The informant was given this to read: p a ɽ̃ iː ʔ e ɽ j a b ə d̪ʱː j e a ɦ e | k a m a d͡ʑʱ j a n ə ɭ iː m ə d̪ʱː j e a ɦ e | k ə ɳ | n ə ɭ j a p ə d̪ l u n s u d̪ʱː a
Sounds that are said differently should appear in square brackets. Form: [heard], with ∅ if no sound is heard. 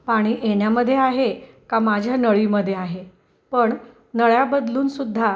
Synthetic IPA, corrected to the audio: p a ɽ̃ iː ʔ e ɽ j a [m] ə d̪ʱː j e a ɦ e | k a m a d͡ʑʱ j a n ə ɭ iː m ə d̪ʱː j e a ɦ e | [p] ə ɳ | n ə ɭ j a [b] ə d̪ l [uː] n s u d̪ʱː a